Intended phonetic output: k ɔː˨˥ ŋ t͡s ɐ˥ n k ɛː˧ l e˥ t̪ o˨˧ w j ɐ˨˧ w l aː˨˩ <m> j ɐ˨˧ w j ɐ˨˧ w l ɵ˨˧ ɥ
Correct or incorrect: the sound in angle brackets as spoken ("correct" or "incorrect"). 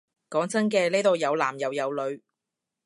correct